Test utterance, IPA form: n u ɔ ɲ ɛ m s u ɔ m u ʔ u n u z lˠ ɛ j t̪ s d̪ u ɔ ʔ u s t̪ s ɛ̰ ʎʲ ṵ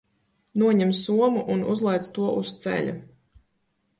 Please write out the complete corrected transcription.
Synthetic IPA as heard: n u ɔ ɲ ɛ m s u ɔ m u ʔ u n u z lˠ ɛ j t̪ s t̪ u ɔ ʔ u s t̪ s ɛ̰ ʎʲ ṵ